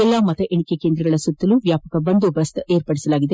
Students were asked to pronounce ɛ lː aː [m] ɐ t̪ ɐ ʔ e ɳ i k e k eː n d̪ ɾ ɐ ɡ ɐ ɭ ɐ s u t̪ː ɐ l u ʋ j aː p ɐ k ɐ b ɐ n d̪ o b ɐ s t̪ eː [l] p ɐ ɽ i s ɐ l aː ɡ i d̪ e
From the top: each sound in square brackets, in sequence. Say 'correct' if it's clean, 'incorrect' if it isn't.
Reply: correct, incorrect

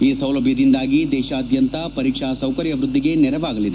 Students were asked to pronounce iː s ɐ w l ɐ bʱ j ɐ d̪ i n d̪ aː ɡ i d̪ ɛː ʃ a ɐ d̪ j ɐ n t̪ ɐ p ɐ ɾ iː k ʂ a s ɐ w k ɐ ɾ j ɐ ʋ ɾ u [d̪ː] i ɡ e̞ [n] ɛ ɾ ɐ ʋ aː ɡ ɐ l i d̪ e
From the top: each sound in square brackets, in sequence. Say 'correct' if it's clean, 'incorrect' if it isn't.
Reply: correct, correct

